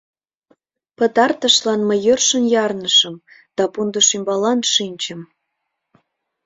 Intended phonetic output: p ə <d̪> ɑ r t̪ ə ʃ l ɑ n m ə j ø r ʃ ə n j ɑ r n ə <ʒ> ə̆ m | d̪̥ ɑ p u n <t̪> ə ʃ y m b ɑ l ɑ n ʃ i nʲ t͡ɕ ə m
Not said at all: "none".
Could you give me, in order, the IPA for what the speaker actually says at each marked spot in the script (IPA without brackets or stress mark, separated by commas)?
t̪, ʃ, d̪